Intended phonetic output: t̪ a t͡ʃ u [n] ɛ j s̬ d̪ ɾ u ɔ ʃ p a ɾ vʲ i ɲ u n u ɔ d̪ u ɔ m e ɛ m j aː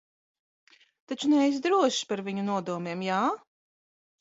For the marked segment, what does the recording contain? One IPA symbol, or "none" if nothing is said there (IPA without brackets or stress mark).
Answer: n